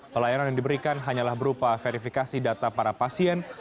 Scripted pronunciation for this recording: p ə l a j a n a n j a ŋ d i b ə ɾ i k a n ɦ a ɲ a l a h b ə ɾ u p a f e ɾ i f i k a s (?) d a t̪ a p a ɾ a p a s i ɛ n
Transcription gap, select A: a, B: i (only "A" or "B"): B